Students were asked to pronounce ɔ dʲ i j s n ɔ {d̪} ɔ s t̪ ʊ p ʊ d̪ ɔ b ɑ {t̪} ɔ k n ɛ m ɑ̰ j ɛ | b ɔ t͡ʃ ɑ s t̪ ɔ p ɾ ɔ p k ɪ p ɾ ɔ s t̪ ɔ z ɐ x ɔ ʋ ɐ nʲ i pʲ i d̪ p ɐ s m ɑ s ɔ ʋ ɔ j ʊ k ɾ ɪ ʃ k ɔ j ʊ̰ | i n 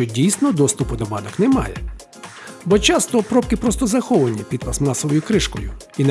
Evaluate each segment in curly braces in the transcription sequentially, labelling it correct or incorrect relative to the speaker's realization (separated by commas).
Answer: correct, incorrect